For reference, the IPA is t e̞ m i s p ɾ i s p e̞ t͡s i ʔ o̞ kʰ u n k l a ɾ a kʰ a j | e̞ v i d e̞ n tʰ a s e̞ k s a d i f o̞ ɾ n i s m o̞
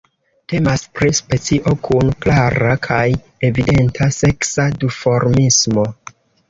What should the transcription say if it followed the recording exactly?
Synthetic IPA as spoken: t e̞ m a s p ɾ i s p e̞ t͡s i ʔ o̞ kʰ u n k l a ɾ a kʰ a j | e̞ v i d e̞ n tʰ a s e̞ k s a d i f o̞ ɾ m i s m o̞